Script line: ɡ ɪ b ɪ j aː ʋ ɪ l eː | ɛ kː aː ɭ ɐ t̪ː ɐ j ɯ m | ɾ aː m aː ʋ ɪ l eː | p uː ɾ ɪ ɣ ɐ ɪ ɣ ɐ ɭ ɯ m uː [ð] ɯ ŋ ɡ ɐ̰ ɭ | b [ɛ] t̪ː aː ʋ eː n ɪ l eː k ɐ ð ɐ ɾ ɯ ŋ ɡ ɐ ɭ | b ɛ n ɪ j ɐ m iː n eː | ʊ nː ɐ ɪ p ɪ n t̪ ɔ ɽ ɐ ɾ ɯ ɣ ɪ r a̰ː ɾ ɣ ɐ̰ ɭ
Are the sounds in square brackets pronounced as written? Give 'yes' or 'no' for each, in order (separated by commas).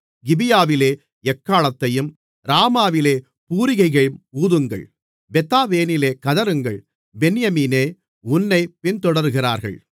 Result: yes, yes